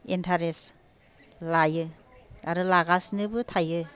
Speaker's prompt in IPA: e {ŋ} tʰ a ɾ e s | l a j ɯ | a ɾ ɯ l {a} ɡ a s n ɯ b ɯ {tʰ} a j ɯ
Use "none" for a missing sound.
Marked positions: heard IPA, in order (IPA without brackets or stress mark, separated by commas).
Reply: n, a, tʰ